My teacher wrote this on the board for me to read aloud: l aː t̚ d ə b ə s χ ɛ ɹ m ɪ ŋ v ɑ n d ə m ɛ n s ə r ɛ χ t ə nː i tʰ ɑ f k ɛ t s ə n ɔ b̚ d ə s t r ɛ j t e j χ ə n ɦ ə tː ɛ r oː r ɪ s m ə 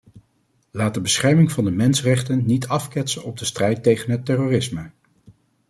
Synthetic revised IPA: l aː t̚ d ə b ə s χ ɛ ɹ m ɪ ŋ v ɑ n d ə m ɛ n s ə r ɛ χ t ə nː i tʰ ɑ f k ɛ t s ə n ɔ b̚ d ə s t r ɛ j t e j χ ə n ɦ ə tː ɛ r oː r ɪ s m ə